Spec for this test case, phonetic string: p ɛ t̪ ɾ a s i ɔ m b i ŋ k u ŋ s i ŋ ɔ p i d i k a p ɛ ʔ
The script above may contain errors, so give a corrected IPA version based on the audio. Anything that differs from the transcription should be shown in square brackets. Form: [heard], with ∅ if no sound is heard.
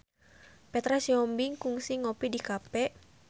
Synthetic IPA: p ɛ t̪ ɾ a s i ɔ m b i ŋ k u ŋ s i ŋ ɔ p i d i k a p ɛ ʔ